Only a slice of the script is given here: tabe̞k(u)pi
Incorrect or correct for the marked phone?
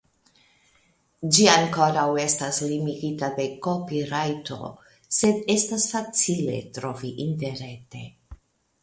incorrect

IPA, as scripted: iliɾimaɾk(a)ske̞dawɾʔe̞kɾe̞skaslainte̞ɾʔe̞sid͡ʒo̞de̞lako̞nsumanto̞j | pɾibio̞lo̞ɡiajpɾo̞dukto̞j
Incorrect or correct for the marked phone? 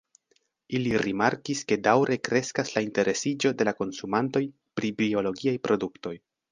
incorrect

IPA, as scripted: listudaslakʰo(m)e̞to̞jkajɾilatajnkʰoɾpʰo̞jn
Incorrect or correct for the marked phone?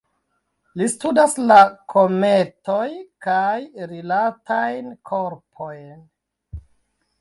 correct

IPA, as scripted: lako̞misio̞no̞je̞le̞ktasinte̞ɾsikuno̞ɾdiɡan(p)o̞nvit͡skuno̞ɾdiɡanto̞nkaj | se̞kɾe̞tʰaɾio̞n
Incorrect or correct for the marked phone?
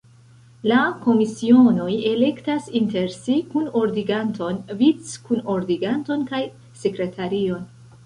incorrect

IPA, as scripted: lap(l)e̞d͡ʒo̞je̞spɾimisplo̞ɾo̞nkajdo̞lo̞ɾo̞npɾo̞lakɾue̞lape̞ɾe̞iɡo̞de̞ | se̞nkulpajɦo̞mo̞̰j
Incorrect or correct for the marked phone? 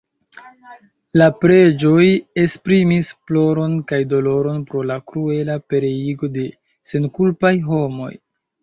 incorrect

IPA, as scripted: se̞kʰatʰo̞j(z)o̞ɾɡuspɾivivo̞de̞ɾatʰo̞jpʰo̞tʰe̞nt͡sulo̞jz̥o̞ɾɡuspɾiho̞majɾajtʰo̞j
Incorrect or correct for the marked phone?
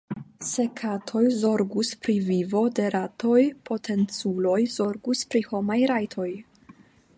correct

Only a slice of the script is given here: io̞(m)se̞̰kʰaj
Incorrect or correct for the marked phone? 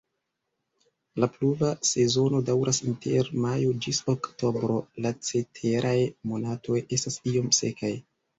correct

